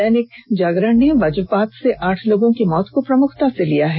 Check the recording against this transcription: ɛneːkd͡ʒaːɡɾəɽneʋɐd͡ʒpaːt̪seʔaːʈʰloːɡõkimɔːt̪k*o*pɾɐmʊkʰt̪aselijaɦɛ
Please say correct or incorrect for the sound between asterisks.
correct